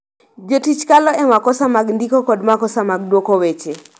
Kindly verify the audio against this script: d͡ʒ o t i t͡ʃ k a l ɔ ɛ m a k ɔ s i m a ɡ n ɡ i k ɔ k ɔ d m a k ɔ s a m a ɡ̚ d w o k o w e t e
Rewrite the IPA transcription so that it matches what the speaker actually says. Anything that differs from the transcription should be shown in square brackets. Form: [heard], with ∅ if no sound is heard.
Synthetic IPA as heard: d͡ʒ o t i t͡ʃ k a l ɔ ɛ m a k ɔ s [a] m a ɡ n [d] i k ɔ k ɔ d m a k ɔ s a m a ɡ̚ d w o k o w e [t͡ʃ] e